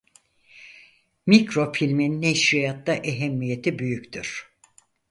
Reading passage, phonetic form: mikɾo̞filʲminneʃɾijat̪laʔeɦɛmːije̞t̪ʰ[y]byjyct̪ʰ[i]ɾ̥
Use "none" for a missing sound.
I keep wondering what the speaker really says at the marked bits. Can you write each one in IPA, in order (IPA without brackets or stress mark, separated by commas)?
i, y